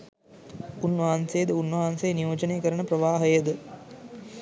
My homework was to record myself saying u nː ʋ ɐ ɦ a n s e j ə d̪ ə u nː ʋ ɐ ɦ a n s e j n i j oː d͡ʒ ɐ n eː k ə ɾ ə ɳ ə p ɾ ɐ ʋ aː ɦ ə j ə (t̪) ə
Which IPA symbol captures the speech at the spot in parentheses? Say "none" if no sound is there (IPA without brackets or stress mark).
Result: d̪